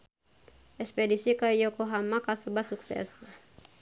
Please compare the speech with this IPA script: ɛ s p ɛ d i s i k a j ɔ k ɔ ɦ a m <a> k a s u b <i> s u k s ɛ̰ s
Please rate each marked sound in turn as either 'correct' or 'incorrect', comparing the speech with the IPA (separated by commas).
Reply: correct, incorrect